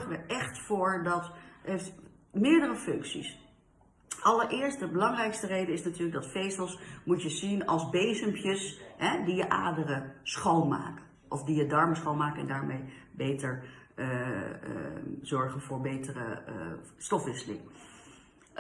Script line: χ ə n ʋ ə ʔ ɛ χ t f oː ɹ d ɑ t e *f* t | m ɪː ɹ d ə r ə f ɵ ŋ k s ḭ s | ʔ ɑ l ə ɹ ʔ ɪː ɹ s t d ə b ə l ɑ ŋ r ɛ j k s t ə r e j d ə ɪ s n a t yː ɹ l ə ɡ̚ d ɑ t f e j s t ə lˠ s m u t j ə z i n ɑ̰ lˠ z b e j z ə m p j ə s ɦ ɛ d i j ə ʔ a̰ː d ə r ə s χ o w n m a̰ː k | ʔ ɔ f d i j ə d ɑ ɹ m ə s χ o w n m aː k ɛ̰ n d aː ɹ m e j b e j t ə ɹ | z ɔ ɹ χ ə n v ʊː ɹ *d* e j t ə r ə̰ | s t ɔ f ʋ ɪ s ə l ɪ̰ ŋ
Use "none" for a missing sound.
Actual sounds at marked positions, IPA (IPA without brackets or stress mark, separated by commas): f, b